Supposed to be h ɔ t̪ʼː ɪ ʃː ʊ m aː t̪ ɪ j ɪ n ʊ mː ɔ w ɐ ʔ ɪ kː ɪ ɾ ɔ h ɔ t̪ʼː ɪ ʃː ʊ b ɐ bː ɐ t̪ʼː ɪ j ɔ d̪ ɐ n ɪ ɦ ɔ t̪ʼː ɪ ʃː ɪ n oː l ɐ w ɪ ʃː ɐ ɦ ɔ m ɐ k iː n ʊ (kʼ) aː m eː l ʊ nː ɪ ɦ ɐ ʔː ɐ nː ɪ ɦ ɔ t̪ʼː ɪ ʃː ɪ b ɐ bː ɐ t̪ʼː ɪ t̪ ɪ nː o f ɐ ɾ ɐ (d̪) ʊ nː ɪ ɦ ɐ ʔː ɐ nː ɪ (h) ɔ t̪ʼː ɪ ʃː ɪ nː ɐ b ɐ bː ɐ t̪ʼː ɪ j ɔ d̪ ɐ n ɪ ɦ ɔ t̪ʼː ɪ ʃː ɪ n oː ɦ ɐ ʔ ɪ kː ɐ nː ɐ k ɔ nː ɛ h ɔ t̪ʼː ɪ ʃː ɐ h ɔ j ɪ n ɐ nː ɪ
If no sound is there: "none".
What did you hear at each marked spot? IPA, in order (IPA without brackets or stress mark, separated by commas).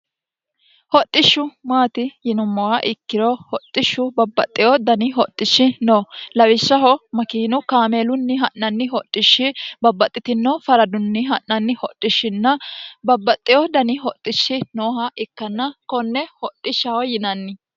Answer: k, d̪, h